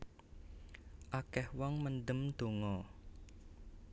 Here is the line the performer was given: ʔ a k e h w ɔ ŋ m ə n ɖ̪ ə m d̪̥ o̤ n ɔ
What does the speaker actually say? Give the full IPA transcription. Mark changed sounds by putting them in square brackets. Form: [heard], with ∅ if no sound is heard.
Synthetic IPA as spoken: ʔ a k [ɛ] h w ɔ ŋ m ə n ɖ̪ ə m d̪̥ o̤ [ŋ] ɔ

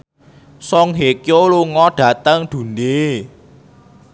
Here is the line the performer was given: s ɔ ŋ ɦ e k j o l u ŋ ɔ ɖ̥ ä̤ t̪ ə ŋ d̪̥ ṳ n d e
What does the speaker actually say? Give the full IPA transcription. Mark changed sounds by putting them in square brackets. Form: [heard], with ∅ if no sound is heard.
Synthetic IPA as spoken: s ɔ ŋ ɦ e k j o l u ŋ ɔ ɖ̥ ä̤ t̪ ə ŋ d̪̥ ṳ n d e

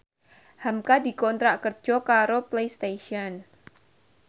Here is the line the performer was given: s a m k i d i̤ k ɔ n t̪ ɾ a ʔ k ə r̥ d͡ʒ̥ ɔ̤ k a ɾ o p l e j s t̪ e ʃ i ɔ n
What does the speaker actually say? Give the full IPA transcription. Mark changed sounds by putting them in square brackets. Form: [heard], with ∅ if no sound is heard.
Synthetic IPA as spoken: [h] a m k [a] d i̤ k ɔ n t̪ ɾ a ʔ k ə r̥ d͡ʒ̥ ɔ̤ k a ɾ o p l e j s t̪ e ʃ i ɔ n

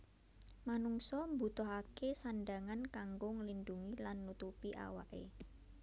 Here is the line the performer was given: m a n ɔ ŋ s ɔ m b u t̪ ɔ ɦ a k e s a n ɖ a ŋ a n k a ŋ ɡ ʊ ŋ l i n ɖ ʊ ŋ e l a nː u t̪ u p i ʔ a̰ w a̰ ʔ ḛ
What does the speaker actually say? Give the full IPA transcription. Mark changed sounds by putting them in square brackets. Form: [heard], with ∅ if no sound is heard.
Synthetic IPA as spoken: m a n [u] ŋ s ɔ m b u t̪ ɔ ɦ a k e s a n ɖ a ŋ a n k a ŋ ɡ ʊ ŋ l i n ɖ [u] ŋ [i] l a nː u t̪ u p i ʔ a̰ w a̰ ʔ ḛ

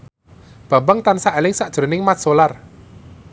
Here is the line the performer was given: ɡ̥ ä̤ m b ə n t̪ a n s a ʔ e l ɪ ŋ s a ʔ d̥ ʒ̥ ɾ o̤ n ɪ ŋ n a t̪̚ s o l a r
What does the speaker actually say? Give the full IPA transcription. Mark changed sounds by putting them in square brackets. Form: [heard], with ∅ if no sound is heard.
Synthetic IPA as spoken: [b̥] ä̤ m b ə [ŋ] t̪ a n s a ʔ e l ɪ ŋ s a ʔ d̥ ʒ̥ ɾ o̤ n ɪ ŋ [m] a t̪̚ s o l a r

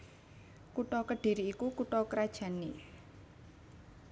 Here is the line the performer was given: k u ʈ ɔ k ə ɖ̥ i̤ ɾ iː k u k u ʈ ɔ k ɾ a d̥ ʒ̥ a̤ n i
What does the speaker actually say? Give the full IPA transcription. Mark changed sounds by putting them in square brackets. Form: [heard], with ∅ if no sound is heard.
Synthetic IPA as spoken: k u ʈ ɔ k ə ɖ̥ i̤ ɾ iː k u k u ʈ ɔ k ɾ a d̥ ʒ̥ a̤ n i

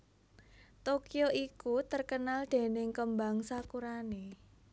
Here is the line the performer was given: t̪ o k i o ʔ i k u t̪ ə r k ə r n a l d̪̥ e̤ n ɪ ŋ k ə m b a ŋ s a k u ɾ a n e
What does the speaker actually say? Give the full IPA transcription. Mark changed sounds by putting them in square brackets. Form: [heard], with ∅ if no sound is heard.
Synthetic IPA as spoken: t̪ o k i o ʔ i k u t̪ ə r k ə [∅] n a l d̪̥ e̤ n ɪ ŋ k ə m b a ŋ s a k u ɾ a n e

